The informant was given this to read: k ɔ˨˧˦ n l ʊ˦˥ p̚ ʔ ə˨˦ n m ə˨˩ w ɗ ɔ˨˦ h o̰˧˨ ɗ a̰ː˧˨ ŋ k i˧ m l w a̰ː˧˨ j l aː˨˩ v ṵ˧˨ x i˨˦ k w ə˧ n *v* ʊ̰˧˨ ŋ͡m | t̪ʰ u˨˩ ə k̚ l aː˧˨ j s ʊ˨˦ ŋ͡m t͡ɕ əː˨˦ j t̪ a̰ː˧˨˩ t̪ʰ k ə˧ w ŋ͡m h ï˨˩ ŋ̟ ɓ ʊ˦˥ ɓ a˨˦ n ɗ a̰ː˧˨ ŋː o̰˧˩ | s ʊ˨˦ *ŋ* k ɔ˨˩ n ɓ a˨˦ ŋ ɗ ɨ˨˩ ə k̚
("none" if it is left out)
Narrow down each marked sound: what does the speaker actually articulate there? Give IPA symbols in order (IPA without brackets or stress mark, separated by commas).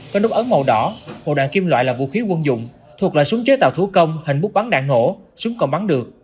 z, ŋ͡m